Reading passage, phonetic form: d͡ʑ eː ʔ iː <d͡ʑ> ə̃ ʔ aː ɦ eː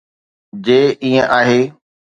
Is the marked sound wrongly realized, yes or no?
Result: yes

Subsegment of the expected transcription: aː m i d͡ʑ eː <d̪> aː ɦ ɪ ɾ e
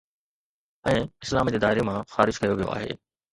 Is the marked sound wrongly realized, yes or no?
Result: no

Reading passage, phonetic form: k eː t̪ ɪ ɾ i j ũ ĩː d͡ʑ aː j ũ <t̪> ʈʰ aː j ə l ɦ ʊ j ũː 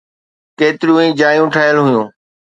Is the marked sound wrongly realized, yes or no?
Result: yes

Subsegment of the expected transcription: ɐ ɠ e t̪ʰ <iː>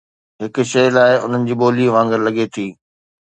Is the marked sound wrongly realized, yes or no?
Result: no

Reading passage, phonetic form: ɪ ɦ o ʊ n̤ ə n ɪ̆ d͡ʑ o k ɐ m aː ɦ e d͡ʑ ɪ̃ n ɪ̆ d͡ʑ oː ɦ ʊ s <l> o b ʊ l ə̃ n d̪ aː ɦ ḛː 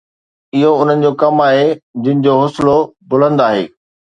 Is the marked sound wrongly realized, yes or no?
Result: no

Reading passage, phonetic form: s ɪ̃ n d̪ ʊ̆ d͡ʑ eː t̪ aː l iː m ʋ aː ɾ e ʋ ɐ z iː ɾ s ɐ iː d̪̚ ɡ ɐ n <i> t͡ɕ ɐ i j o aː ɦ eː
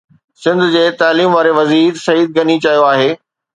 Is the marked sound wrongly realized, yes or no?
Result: no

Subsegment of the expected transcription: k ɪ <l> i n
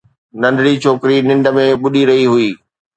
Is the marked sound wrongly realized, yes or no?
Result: yes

